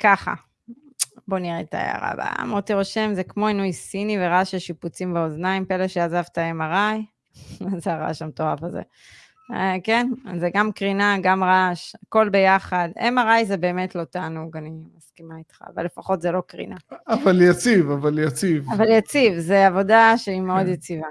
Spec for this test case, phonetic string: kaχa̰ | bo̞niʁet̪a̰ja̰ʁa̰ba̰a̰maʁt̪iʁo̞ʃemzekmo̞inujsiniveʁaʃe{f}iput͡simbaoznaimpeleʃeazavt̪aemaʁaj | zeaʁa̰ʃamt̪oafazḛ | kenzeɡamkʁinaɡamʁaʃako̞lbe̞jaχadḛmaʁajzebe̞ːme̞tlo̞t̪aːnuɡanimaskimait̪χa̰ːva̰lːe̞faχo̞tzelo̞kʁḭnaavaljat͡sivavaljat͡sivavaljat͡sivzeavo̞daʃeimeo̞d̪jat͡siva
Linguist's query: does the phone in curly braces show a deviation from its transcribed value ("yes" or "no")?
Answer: yes